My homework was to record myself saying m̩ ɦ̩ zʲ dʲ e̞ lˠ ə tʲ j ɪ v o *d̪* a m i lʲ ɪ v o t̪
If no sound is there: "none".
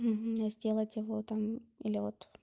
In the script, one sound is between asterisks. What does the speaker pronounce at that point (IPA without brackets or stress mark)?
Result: t̪